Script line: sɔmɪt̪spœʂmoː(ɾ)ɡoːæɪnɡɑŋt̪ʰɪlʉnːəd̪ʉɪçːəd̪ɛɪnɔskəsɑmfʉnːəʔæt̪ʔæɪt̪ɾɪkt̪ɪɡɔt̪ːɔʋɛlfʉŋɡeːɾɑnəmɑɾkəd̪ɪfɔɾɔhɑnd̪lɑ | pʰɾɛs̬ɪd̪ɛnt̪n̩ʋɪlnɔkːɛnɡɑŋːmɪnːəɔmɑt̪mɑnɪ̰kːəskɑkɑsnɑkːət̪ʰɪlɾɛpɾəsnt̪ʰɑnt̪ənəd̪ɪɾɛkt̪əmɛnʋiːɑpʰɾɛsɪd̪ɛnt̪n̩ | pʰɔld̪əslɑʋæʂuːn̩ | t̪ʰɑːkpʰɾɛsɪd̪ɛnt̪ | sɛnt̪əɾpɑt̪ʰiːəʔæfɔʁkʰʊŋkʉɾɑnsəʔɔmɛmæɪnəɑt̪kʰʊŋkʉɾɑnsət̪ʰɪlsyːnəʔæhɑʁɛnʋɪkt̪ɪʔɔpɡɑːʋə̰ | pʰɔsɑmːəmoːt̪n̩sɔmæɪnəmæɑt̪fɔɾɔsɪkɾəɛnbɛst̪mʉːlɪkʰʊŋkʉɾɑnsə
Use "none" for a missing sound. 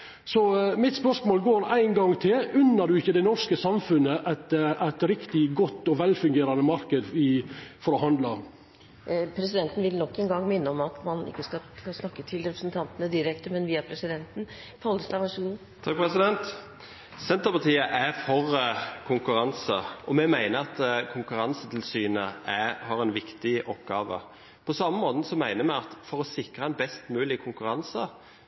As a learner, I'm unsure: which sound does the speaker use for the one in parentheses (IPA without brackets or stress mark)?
l